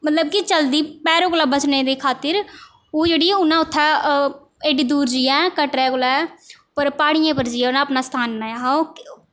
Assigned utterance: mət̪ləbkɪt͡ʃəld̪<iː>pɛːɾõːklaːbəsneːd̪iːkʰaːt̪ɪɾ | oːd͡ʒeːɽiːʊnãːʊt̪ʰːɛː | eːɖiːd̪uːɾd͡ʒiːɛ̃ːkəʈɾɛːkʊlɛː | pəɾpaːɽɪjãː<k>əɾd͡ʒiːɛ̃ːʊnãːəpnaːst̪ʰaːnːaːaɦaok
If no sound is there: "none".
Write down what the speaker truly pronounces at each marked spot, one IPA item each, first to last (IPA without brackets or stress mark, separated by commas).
iː, p